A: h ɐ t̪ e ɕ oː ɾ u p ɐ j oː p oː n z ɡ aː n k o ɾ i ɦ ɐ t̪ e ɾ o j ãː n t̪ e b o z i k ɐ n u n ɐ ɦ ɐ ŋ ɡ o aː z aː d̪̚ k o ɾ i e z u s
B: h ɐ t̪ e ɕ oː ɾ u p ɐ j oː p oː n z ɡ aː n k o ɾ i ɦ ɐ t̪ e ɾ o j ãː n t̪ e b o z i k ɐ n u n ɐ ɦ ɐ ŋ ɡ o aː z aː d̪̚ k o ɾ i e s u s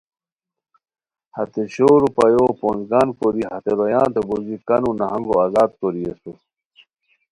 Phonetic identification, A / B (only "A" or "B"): B